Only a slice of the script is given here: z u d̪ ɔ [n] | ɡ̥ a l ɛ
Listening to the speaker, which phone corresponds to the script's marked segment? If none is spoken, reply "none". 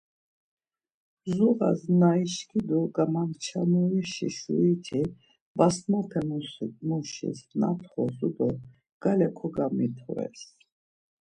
none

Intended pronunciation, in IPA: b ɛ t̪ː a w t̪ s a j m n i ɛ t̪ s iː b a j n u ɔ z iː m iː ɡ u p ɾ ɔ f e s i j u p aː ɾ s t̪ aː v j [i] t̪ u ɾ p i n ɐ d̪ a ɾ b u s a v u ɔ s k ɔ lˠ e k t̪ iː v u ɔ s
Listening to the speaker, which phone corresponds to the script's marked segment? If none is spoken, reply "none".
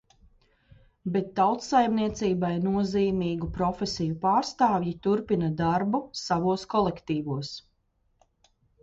i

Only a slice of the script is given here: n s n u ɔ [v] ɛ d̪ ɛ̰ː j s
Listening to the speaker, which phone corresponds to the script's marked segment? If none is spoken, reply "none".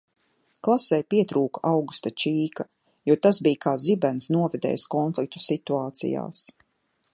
v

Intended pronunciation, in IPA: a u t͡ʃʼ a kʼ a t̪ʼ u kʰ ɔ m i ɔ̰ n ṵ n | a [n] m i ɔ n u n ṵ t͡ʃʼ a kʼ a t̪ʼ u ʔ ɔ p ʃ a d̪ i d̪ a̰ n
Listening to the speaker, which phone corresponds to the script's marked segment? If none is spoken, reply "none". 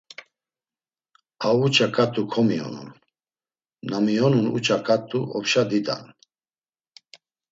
none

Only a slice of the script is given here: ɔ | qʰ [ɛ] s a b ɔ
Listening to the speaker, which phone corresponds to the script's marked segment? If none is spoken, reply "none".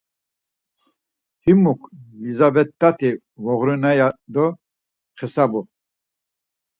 ɛ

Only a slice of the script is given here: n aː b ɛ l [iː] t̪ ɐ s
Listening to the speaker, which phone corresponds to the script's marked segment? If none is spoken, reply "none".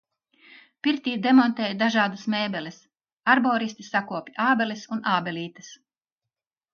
iː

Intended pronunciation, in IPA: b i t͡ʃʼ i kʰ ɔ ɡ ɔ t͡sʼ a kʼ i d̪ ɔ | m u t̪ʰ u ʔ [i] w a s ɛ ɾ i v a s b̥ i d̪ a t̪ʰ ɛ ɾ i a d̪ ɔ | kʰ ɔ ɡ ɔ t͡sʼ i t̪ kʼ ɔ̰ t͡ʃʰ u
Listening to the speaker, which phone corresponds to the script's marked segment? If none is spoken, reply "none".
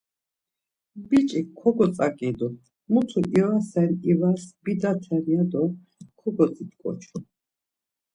i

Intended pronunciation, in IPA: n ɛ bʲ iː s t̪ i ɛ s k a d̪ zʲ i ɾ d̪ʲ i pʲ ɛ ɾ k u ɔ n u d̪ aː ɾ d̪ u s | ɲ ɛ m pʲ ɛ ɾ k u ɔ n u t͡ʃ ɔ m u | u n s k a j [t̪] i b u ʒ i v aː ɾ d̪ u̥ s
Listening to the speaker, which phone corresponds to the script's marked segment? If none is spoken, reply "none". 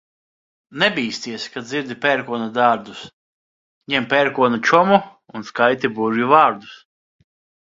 t̪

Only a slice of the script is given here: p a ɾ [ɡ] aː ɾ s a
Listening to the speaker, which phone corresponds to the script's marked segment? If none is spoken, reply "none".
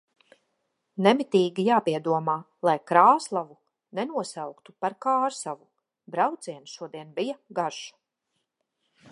k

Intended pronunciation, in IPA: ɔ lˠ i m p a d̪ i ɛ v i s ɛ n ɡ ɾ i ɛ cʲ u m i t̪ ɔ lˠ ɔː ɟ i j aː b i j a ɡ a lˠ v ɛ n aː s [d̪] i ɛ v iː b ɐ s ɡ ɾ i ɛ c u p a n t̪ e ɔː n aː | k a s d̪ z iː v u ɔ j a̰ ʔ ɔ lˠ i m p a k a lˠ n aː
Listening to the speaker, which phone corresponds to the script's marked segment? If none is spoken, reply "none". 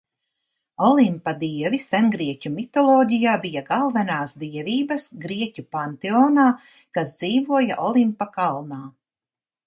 d̪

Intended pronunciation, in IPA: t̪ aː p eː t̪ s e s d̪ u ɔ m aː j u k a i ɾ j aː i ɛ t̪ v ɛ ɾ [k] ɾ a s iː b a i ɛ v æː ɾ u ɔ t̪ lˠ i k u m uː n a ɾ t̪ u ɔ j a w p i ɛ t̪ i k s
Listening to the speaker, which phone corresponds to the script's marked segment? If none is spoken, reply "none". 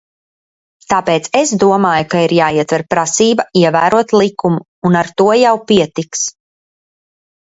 p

